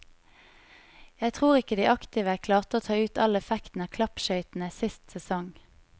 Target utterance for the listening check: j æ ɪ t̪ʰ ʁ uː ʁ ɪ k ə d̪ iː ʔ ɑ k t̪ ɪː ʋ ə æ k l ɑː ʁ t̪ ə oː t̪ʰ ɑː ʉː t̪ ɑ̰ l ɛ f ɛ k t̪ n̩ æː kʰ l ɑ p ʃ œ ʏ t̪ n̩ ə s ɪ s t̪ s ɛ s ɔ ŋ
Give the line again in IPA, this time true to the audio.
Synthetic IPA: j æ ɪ t̪ʰ ʁ uː ʁ ɪ k ə d̪ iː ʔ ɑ k t̪ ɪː ʋ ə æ kʰ l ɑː ʁ t̪ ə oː t̪ʰ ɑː ʉː t̪ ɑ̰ l ɛ f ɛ k t̪ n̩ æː kʰ l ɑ p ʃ œ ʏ t̪ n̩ ə s ɪ s t̪ s ɛ s ɔ ŋ